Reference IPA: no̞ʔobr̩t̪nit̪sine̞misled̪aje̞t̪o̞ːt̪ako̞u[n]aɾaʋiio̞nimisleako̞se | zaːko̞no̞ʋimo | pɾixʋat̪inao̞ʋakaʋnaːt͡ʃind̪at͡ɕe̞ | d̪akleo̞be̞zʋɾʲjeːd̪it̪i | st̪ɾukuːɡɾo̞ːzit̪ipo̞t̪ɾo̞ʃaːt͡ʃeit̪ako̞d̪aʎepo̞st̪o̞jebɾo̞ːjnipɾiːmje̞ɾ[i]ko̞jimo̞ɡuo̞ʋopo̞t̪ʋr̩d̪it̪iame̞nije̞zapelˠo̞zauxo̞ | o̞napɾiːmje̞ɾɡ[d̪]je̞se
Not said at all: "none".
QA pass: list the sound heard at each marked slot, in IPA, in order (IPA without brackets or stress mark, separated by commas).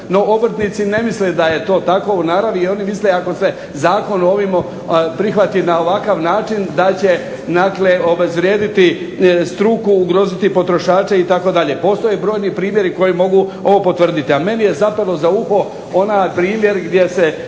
n, i, d̪